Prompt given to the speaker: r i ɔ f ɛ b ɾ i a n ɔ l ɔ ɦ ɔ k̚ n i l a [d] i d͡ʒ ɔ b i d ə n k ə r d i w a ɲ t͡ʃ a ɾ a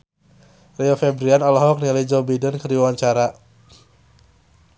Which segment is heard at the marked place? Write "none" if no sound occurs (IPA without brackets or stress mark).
none